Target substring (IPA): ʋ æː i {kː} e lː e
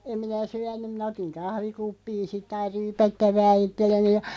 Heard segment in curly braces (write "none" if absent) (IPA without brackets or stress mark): tː